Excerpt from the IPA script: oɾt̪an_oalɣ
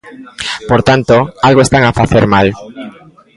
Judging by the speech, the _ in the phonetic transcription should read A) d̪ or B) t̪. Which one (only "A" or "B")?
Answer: B